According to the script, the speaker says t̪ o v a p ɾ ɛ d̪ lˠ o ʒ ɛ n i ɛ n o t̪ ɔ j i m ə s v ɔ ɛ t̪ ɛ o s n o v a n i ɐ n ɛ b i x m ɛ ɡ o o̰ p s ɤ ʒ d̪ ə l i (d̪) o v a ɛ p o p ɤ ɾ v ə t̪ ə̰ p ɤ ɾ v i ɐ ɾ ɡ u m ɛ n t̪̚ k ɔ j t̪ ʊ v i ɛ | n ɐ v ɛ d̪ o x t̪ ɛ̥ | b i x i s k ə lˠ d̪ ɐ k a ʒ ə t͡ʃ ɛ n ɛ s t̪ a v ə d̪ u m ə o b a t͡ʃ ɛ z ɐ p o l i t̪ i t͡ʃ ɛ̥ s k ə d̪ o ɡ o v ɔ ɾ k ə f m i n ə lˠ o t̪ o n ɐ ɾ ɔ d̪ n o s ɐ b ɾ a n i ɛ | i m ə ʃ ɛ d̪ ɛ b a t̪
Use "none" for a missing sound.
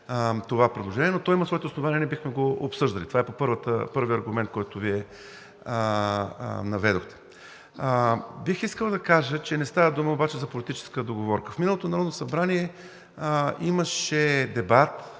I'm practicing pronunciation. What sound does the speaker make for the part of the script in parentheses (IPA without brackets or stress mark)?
t̪